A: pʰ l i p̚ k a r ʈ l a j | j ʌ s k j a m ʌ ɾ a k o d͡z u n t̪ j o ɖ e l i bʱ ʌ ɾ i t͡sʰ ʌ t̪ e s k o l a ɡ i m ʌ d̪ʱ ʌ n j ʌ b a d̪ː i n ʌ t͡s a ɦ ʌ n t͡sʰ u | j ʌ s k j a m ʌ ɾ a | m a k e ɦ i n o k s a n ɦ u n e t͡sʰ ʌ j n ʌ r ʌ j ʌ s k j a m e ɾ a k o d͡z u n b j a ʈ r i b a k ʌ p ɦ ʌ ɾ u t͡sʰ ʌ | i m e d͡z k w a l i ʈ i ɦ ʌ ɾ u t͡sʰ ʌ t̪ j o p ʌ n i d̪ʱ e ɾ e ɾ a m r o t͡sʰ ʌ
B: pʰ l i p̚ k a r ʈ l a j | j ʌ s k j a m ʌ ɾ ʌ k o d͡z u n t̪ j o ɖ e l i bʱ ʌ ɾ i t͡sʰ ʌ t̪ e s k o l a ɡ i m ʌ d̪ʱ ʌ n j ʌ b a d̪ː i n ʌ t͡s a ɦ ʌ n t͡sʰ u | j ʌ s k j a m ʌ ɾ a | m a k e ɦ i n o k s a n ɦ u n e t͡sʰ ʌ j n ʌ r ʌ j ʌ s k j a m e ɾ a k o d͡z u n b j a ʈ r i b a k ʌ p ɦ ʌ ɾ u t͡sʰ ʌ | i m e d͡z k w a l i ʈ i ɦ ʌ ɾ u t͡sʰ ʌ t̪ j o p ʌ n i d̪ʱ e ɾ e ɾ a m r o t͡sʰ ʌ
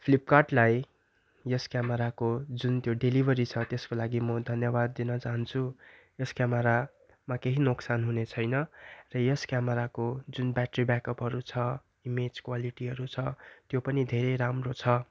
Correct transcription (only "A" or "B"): A